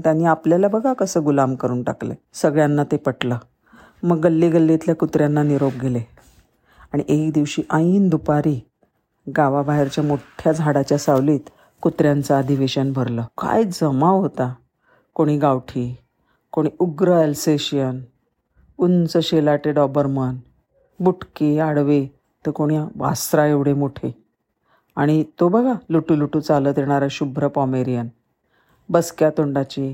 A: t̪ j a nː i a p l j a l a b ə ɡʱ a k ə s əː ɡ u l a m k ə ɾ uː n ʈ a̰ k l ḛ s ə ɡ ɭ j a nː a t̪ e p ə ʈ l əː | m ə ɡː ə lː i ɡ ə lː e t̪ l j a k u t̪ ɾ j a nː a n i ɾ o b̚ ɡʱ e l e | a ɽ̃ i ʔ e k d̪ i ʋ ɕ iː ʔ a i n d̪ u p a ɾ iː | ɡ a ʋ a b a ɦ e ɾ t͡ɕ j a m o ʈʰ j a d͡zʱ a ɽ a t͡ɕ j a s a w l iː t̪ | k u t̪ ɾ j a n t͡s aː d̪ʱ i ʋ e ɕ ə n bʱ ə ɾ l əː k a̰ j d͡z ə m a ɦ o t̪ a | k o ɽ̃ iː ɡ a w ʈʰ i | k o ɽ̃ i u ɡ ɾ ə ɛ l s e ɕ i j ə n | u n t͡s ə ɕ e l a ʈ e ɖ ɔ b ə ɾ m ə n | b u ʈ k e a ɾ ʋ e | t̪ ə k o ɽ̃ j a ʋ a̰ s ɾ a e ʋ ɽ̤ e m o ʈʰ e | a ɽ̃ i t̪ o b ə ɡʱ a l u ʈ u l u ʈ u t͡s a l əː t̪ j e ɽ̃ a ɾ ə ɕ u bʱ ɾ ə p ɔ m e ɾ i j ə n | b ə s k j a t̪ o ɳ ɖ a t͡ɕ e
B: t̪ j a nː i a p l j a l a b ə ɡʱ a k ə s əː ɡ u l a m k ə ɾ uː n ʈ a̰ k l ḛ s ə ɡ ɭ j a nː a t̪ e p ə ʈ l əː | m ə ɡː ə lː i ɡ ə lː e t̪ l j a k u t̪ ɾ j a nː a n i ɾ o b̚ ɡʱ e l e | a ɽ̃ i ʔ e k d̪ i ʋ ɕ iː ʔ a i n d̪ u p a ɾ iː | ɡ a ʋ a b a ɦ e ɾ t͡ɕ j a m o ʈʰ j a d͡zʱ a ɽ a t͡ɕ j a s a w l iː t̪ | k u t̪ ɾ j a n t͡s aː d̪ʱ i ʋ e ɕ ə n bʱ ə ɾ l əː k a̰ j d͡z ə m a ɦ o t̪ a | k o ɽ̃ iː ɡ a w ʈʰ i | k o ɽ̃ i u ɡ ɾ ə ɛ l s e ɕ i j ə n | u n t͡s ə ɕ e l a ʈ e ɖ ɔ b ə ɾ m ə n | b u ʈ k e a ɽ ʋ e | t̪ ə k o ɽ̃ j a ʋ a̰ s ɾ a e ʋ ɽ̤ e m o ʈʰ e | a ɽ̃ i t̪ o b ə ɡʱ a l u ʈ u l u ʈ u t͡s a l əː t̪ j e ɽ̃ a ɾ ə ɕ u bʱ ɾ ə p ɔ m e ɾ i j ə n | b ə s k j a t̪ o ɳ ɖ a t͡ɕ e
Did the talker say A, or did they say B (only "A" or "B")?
B